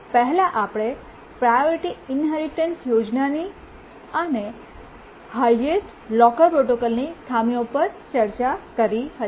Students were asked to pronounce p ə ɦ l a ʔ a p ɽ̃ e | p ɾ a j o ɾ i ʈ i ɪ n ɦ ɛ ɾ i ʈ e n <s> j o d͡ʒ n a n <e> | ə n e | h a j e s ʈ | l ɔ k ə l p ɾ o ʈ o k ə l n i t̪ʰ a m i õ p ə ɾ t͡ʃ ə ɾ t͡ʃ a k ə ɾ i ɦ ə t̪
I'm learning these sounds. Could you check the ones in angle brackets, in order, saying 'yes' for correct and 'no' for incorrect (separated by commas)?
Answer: yes, no